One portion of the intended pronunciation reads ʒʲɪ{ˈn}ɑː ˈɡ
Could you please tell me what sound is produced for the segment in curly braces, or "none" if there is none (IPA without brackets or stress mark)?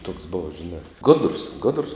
n